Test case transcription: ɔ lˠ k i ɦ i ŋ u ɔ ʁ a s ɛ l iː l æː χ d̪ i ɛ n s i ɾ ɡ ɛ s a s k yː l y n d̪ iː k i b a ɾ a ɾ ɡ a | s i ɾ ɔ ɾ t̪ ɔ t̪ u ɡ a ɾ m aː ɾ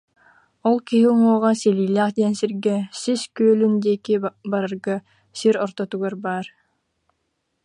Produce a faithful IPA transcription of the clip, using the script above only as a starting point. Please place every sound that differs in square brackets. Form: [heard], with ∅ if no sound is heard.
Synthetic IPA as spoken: ɔ lˠ k i ɦ i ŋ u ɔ ʁ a s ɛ l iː l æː χ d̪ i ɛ n s i ɾ ɡ ɛ s [i] s k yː l y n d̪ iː k i b a ɾ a ɾ ɡ a | s i ɾ ɔ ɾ t̪ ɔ t̪ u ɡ a ɾ [b] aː ɾ